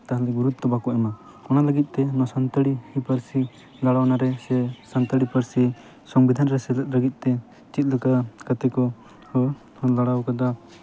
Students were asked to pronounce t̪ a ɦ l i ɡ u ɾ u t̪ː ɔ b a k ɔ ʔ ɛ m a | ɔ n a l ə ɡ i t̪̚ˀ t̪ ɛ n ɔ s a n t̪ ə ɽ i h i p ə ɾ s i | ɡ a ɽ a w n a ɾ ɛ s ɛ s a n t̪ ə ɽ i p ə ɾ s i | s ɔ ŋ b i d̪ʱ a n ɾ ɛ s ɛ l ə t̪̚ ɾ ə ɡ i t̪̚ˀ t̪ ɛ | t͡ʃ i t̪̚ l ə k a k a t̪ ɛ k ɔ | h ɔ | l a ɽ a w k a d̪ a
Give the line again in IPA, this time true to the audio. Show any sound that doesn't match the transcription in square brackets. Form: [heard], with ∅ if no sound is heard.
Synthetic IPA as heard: t̪ a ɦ l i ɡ u ɾ u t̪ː ɔ b a k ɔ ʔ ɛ m a | ɔ n a l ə ɡ i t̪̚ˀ t̪ ɛ n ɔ s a n t̪ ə ɽ i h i p ə ɾ s i | ɡ a ɽ a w n a ɾ ɛ s ɛ s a n t̪ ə ɽ i p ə ɾ s i | s ɔ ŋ b i d̪ʱ a n ɾ ɛ s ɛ l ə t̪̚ ɾ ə ɡ i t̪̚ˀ t̪ ɛ | t͡ʃ i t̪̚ l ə k a k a t̪ ɛ k ɔ | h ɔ | l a ɽ a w k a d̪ a